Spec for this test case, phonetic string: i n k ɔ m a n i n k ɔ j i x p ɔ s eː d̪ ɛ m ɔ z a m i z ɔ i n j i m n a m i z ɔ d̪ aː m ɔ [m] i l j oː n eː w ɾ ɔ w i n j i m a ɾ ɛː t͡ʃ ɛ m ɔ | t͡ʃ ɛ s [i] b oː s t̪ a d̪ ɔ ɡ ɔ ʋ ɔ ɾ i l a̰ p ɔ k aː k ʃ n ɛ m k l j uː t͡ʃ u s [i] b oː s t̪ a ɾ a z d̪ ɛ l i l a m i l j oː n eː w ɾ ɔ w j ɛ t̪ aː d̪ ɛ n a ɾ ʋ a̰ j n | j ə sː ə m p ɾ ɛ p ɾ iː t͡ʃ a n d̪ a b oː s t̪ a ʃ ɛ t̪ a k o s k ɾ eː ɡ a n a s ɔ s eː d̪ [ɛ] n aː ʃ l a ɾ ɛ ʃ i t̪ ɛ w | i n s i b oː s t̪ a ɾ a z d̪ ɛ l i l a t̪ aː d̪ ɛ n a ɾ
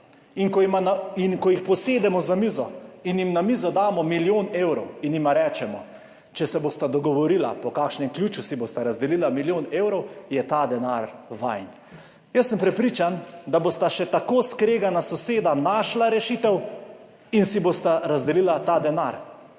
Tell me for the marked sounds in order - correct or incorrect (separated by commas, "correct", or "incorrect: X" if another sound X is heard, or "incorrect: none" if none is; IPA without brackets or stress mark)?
correct, incorrect: ɛ, correct, incorrect: a